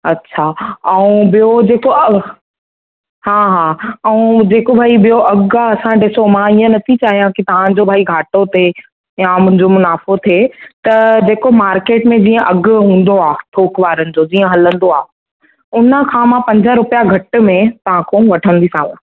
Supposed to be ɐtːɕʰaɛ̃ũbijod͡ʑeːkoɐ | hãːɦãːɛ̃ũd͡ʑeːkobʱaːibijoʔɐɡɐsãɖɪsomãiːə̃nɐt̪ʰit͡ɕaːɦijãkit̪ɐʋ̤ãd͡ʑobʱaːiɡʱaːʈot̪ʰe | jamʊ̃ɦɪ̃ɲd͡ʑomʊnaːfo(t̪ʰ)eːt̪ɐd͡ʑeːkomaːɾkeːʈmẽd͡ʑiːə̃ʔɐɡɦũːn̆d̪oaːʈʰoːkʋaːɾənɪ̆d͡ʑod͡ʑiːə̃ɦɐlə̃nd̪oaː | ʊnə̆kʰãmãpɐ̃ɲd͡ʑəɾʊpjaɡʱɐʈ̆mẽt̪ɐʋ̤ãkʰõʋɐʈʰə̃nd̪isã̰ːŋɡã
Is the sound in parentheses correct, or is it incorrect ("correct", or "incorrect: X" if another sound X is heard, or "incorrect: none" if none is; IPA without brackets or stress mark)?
correct